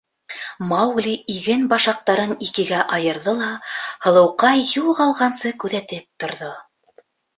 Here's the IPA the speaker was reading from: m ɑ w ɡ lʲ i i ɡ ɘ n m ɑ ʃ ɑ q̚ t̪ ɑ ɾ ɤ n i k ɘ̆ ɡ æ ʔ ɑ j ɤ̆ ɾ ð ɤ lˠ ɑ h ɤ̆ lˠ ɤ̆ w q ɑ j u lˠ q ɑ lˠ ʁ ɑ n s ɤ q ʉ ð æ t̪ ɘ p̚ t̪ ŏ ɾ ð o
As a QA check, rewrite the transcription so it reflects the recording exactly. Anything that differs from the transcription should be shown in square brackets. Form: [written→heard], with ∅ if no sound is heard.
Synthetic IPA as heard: m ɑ w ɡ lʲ i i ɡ ɘ n [m→b] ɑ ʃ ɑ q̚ t̪ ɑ ɾ ɤ n i k ɘ̆ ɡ æ ʔ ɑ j ɤ̆ ɾ ð ɤ lˠ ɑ h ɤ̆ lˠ ɤ̆ w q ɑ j u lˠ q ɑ lˠ ʁ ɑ n s ɤ [q→k] ʉ ð æ t̪ ɘ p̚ t̪ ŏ ɾ ð o

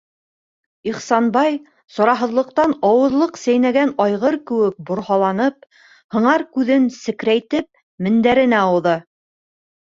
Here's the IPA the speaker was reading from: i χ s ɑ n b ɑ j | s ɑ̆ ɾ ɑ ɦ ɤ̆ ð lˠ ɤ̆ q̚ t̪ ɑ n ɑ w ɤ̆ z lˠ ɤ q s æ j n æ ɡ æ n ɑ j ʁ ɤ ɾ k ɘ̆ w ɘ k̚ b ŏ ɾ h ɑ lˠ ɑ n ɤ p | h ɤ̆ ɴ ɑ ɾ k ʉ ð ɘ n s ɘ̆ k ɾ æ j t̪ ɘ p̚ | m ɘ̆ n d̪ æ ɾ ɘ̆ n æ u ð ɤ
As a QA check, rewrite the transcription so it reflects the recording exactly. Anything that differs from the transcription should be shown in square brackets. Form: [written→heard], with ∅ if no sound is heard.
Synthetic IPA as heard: i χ s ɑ n b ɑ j | s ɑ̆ ɾ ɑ ɦ ɤ̆ ð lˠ ɤ̆ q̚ t̪ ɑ n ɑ w ɤ̆ [z→ð] lˠ ɤ q s æ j n æ ɡ æ n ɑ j ʁ ɤ ɾ k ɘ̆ w ɘ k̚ b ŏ ɾ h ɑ lˠ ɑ n ɤ p | h ɤ̆ ɴ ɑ ɾ k ʉ ð ɘ n s ɘ̆ k ɾ æ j t̪ ɘ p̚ | m ɘ̆ n d̪ æ ɾ ɘ̆ n æ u ð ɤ

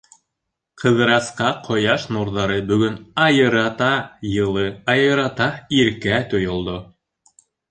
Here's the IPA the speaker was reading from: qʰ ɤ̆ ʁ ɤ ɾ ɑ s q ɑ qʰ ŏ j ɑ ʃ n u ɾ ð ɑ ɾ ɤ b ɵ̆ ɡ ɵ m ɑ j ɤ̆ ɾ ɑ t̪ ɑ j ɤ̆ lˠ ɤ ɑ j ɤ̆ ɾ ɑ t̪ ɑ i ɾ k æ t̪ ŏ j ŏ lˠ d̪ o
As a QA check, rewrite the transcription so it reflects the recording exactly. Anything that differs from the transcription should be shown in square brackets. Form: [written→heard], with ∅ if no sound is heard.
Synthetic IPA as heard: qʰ ɤ̆ [ʁ→ð] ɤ ɾ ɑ s q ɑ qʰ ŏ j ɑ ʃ n u ɾ ð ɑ ɾ ɤ b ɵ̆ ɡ ɵ [m→n] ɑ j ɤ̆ ɾ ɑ t̪ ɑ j ɤ̆ lˠ ɤ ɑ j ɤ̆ ɾ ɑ t̪ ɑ i ɾ k æ t̪ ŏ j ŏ lˠ d̪ o

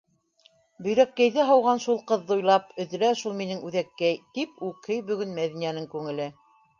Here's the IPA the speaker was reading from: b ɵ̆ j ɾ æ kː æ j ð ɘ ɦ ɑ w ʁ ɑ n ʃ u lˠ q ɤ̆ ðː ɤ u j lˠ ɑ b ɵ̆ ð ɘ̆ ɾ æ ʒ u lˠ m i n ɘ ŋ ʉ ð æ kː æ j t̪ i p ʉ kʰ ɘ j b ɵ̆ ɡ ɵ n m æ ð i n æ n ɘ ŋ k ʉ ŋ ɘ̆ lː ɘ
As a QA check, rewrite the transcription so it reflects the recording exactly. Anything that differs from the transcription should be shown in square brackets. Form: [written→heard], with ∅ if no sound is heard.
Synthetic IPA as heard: b ɵ̆ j ɾ æ kː æ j ð ɘ ɦ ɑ w ʁ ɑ n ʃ u lˠ q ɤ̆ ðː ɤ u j lˠ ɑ [b→p] ɵ̆ ð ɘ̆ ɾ æ [ʒ→ʃ] u lˠ m i n ɘ ŋ ʉ ð æ kː æ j t̪ i p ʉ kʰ ɘ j b ɵ̆ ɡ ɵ n m æ ð i n æ n ɘ ŋ k ʉ ŋ ɘ̆ [lː→l] ɘ

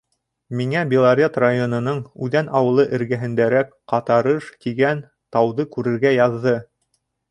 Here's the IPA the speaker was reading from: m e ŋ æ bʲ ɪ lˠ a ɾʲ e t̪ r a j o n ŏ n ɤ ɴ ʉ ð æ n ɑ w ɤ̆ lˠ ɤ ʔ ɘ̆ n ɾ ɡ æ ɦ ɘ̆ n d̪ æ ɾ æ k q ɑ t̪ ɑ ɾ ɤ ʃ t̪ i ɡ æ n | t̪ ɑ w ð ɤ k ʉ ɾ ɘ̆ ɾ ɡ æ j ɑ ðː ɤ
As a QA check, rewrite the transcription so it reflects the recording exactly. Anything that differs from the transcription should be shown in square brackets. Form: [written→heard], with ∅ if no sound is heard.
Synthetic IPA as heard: m [e→i] ŋ æ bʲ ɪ lˠ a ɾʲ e t̪ r a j o n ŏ n ɤ ɴ ʉ ð æ n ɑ w ɤ̆ lˠ ɤ ʔ ɘ̆ [n→∅] ɾ ɡ æ ɦ ɘ̆ n d̪ æ ɾ æ k q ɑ t̪ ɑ ɾ ɤ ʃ t̪ i ɡ æ n | t̪ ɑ w ð ɤ k ʉ ɾ ɘ̆ ɾ ɡ æ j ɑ ðː ɤ

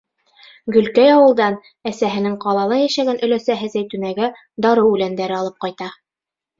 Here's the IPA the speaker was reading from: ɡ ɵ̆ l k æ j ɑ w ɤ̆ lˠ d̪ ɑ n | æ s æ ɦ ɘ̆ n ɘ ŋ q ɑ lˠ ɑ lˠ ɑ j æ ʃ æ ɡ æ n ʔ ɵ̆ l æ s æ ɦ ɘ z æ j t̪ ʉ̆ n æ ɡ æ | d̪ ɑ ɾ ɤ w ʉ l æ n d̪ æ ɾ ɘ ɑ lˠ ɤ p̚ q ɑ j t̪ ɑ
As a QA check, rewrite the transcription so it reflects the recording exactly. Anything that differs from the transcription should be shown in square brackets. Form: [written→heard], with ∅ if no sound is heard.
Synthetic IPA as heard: ɡ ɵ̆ l k æ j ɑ w ɤ̆ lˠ d̪ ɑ n | æ s æ ɦ ɘ̆ n ɘ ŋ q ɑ lˠ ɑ lˠ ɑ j æ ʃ æ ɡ æ n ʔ ɵ̆ l æ s æ ɦ ɘ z æ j t̪ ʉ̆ n æ ɡ æ | d̪ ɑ ɾ ɤ w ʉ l æ n d̪ æ ɾ ɘ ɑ lˠ ɤ p̚ q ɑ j t̪ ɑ

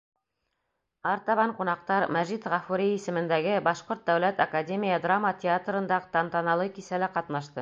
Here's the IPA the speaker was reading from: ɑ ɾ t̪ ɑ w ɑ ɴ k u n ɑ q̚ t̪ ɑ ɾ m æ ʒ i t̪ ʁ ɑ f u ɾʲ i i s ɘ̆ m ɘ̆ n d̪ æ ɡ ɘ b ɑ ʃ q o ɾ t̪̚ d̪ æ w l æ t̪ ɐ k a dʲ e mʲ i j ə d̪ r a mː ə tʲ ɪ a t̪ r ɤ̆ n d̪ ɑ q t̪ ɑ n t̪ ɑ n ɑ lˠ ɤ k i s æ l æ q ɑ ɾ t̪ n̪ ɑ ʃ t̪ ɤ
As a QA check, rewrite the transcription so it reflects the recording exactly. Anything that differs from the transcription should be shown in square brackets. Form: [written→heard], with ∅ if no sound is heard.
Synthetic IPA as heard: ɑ ɾ t̪ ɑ [w→β] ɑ ɴ [k→q] u n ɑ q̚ t̪ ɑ ɾ m æ ʒ i t̪ ʁ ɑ f u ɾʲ i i s ɘ̆ m ɘ̆ n d̪ æ ɡ ɘ b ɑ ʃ q o ɾ t̪̚ d̪ æ w l æ t̪ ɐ k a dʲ e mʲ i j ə d̪ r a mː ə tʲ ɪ a t̪ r ɤ̆ n d̪ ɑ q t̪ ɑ n t̪ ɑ n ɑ lˠ ɤ k i s æ l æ q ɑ [ɾ→∅] t̪ n̪ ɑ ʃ t̪ ɤ

